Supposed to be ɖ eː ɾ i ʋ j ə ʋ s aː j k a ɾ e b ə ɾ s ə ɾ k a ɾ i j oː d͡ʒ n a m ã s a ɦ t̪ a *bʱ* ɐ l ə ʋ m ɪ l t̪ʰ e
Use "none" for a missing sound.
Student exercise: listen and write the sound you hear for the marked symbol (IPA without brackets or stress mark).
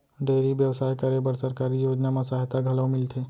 ɡʱ